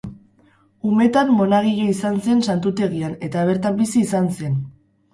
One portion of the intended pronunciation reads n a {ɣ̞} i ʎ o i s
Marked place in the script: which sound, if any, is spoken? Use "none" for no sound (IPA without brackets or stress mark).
ɣ̞